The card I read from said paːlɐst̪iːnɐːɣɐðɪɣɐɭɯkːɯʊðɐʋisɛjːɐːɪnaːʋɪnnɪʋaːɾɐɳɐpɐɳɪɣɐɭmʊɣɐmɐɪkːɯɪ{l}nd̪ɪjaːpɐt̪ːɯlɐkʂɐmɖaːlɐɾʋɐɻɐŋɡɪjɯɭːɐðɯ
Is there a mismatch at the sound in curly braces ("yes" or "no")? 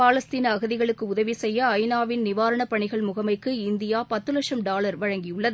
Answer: yes